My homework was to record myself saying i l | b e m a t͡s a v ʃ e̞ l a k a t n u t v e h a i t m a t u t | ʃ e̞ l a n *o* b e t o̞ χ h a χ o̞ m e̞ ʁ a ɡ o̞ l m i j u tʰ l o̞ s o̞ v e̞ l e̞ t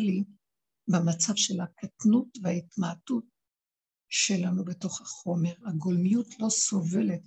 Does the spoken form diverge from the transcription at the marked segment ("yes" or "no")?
yes